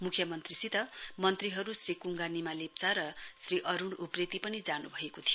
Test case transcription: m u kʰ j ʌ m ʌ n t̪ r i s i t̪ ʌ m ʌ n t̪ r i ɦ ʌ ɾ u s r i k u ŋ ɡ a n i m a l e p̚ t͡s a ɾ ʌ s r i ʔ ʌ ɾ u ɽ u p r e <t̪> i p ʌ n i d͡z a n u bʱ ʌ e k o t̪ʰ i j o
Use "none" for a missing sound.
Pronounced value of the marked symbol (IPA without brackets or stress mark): t̪